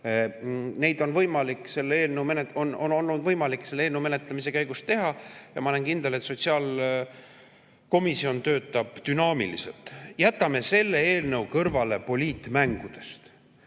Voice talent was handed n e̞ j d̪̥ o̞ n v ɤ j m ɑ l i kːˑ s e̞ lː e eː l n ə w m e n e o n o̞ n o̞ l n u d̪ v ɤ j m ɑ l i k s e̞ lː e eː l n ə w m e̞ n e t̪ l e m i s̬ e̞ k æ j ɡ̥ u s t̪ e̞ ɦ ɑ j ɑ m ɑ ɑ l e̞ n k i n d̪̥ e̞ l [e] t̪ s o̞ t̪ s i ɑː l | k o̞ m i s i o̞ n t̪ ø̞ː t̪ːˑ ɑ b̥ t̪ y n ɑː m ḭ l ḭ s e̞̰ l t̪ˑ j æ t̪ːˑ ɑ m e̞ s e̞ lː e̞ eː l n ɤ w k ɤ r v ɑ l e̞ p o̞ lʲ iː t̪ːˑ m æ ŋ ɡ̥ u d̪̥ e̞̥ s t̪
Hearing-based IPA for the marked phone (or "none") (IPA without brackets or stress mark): e